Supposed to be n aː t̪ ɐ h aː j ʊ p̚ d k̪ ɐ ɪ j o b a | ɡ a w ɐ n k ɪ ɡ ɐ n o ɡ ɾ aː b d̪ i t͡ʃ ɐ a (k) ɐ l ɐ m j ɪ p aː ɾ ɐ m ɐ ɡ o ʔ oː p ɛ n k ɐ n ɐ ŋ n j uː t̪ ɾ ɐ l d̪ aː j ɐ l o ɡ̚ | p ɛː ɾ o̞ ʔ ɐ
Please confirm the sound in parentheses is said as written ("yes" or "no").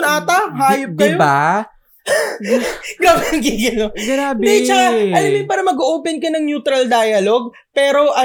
no